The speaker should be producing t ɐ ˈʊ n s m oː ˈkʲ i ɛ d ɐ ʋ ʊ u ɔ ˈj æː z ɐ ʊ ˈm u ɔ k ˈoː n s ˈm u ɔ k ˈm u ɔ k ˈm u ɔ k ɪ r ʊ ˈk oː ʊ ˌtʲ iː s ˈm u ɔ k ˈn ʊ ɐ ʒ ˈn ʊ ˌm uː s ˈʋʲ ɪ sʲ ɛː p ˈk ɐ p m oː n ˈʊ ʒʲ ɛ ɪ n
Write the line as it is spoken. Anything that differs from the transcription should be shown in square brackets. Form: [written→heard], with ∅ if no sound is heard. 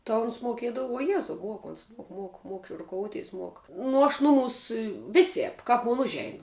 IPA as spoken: t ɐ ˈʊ n s m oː ˈkʲ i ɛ d ɐ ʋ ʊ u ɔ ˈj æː z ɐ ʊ ˈm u ɔ k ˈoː n s ˈm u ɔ k ˈm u ɔ k ˈm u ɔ k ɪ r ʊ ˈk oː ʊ ˌtʲ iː s ˈm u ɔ k ˈn ʊ ɐ [ʒ→ʃ] ˈn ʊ ˌm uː s ˈʋʲ ɪ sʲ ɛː p ˈk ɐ p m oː n ˈʊ ʒʲ ɛ ɪ n